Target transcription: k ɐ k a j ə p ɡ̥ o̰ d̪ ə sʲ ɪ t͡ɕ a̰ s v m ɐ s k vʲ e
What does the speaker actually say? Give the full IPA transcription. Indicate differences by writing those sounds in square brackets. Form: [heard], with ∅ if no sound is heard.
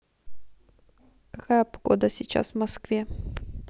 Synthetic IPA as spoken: k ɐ k a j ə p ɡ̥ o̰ d̪ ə sʲ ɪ t͡ɕ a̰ s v m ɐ s k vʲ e